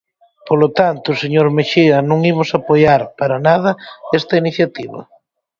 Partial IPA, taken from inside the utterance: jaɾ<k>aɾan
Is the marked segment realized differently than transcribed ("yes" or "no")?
yes